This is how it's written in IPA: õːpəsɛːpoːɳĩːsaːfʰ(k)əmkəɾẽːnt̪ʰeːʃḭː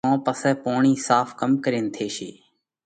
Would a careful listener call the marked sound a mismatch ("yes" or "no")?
no